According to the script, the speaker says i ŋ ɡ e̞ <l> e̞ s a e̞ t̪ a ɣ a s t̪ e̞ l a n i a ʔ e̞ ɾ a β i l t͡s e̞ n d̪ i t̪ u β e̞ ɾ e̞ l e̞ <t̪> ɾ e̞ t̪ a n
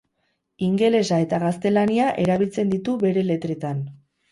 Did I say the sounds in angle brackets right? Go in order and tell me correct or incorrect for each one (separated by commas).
correct, correct